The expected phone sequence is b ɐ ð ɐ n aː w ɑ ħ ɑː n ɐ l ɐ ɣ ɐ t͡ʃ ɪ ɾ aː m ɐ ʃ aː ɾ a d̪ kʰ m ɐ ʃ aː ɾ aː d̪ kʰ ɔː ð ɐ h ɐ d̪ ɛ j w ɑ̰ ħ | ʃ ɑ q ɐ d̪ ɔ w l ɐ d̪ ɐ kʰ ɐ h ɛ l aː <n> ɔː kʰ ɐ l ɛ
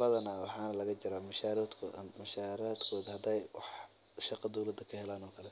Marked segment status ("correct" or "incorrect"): correct